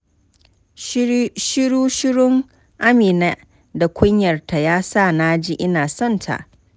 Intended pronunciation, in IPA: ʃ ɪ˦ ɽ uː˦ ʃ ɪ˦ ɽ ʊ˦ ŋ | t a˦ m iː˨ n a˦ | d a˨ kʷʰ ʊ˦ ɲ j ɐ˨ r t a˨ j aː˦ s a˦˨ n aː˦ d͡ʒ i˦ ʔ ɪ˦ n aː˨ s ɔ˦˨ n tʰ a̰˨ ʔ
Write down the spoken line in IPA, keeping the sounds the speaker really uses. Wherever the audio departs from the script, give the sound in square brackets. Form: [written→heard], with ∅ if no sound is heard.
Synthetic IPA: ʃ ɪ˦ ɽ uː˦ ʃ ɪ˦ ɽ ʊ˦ ŋ | [t→ʔ] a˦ m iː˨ n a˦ | d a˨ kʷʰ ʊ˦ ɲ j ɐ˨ r t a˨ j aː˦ s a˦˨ n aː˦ d͡ʒ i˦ ʔ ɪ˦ n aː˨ s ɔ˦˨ n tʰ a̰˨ ʔ